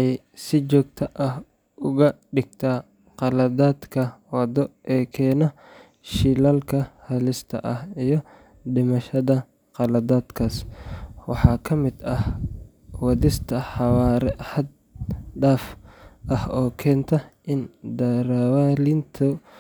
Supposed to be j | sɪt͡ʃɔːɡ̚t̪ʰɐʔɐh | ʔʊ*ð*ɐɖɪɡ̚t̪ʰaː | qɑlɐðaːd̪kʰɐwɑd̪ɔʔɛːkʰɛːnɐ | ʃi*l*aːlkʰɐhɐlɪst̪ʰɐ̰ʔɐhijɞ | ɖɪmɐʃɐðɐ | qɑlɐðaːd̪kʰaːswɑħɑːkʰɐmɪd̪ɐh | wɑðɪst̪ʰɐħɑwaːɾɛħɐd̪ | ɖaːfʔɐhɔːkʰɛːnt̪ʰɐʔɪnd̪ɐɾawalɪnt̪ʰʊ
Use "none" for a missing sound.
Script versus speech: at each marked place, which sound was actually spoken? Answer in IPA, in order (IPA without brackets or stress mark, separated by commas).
ɣ, l